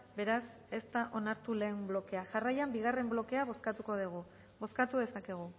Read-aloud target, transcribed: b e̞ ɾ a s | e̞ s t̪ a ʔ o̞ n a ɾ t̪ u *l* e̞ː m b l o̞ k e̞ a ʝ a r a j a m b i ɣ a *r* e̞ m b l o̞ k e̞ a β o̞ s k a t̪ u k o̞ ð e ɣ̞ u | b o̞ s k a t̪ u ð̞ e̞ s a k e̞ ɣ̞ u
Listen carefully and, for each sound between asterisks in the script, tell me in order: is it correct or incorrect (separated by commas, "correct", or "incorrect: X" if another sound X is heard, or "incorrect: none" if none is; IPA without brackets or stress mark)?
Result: correct, correct